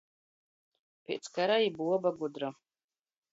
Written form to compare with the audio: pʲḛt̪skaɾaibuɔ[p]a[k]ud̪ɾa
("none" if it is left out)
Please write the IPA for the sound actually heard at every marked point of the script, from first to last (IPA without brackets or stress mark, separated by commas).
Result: b, ɡ